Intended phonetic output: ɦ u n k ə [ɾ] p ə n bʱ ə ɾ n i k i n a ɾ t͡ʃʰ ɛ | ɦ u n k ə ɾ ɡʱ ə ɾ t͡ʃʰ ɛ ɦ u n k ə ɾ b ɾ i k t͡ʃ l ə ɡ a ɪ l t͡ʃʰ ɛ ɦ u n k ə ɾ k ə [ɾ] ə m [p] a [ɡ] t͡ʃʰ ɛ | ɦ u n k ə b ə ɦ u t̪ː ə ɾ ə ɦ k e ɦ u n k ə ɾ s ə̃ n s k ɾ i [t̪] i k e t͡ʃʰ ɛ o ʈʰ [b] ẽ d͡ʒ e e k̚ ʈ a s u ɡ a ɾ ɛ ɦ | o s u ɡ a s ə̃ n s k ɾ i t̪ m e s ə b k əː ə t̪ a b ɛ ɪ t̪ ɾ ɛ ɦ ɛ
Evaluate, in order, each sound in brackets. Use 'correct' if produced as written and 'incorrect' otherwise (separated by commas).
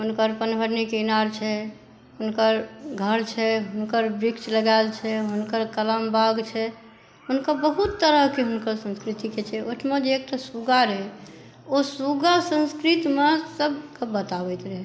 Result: correct, incorrect, incorrect, correct, correct, incorrect